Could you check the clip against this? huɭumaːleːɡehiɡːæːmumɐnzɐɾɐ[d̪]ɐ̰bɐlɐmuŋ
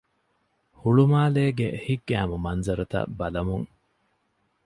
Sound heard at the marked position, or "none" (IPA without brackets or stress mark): t̪